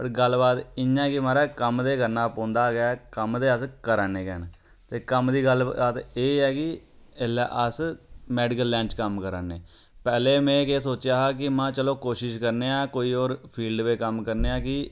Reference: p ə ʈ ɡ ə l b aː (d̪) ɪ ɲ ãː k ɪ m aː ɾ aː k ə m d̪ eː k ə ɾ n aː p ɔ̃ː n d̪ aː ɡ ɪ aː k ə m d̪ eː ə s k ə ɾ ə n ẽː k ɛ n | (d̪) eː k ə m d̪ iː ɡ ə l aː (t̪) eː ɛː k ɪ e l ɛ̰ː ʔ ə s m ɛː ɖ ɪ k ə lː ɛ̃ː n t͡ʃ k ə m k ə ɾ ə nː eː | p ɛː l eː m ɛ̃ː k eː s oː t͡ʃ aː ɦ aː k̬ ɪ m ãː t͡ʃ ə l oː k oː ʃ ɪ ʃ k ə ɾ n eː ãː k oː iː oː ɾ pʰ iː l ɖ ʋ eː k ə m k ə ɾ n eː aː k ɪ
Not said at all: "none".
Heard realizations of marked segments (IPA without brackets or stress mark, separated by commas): t̪, t̪, t̪